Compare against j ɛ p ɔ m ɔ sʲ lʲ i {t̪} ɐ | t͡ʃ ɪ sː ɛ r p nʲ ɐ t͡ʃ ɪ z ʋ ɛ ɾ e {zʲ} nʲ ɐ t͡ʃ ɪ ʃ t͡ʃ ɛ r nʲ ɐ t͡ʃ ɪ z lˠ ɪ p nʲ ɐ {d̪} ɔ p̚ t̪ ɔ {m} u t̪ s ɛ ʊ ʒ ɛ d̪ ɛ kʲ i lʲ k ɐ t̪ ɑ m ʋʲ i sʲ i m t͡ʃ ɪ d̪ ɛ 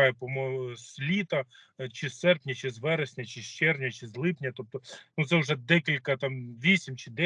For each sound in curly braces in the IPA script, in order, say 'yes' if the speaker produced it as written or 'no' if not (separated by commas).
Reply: yes, no, no, no